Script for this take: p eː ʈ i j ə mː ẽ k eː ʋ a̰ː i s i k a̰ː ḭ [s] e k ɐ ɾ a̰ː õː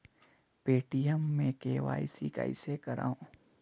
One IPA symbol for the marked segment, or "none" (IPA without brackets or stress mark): s